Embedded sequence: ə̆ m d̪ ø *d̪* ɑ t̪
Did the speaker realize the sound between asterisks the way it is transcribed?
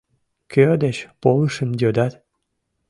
yes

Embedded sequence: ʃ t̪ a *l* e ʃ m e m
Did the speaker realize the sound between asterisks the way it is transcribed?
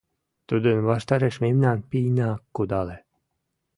no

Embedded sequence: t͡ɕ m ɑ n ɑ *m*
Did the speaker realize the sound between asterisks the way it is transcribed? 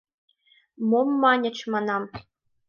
yes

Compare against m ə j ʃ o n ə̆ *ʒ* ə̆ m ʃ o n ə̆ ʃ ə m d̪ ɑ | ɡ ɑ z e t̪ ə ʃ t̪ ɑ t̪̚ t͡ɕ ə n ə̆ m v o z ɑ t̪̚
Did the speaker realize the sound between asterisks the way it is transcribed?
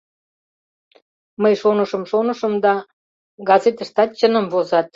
no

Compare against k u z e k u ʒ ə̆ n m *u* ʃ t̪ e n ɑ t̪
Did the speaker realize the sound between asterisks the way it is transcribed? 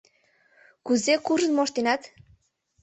no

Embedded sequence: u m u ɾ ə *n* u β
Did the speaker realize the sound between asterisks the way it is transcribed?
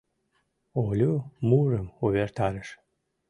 no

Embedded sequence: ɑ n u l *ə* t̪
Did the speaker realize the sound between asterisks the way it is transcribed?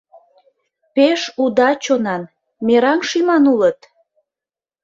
yes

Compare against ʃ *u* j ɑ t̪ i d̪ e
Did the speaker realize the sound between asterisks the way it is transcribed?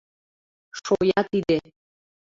no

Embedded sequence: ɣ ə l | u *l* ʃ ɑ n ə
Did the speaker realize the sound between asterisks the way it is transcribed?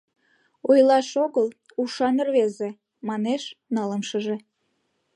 no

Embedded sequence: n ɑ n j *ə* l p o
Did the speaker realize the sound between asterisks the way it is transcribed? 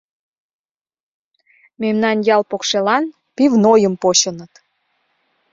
no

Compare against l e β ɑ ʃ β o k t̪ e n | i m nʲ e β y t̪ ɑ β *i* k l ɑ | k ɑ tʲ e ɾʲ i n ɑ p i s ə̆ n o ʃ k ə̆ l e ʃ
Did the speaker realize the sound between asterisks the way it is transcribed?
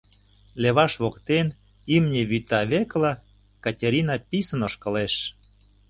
no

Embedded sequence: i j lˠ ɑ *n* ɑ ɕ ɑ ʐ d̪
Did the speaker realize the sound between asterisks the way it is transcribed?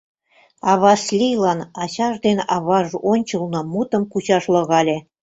yes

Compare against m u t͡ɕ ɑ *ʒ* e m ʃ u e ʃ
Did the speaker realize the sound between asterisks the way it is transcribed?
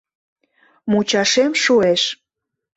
no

